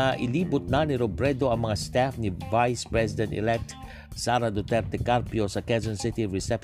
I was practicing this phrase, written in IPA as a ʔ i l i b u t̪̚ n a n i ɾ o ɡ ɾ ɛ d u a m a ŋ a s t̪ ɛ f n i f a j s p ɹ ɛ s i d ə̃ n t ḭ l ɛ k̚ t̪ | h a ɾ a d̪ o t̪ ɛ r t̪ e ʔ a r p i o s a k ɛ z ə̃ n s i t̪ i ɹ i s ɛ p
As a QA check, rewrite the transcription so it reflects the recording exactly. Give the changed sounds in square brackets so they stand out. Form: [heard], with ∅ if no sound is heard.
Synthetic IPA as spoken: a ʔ i l i b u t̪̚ n a n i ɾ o [b] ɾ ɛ d [o] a m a ŋ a s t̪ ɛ f n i [v] a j s p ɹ ɛ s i d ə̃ n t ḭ l ɛ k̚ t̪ | [s] a ɾ a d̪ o t̪ ɛ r t̪ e [k] a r p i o s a k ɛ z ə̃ n s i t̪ i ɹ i s ɛ p